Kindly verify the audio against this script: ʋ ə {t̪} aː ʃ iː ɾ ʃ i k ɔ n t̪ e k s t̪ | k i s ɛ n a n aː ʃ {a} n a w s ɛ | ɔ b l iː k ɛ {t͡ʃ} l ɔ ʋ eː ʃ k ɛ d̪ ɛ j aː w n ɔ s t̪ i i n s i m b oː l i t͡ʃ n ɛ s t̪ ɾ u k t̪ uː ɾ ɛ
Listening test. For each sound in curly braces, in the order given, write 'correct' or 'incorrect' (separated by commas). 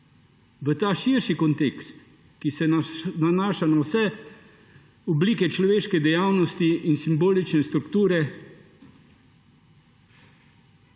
correct, correct, correct